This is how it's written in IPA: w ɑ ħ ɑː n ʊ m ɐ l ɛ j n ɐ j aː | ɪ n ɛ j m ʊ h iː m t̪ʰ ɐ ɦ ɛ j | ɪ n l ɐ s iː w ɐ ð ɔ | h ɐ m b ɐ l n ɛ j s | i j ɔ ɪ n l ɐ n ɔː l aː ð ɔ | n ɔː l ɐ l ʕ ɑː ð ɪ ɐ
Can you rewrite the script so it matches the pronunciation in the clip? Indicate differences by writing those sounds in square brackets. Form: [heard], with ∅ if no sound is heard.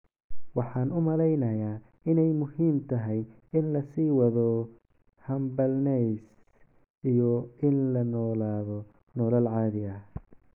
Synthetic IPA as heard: w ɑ ħ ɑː n ʊ m ɐ l ɛ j n ɐ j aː | ɪ n ɛ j m ʊ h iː m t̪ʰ ɐ ɦ ɛ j | ɪ n l ɐ s iː w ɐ ð ɔ | h ɐ m b ɐ l n ɛ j s | i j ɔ ɪ n l ɐ n ɔː l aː ð ɔ | n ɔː l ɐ l ʕ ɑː ð ɪ ɐ